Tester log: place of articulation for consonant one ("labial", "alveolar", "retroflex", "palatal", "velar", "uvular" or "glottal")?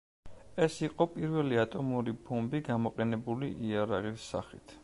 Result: alveolar